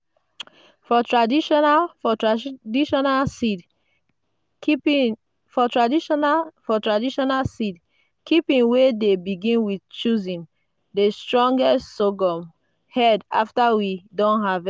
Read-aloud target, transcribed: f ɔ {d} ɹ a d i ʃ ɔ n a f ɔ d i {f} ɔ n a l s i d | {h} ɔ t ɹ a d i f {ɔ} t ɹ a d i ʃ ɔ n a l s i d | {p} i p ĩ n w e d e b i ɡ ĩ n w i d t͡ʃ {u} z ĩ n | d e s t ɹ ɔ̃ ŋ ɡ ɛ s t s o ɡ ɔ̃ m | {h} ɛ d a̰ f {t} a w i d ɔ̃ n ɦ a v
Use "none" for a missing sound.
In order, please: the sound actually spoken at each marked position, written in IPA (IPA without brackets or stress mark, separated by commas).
t, ʃ, f, ɔ, k, u, h, t